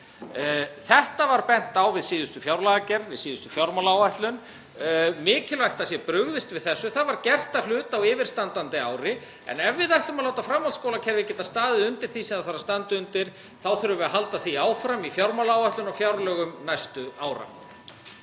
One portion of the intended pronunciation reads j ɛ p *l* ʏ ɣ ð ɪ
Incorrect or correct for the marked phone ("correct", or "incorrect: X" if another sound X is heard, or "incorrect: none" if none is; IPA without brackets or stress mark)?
incorrect: ɾ